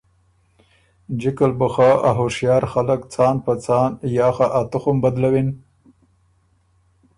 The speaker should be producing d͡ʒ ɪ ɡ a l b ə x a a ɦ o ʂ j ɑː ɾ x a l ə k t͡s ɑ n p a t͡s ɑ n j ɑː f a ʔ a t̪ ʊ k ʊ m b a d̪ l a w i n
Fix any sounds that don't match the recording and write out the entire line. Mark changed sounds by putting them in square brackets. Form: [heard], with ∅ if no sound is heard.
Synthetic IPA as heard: d͡ʒ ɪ [k] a l b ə x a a ɦ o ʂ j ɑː ɾ x a l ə k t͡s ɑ n p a t͡s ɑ n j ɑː [x] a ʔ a t̪ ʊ [x] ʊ m b a d̪ l a w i n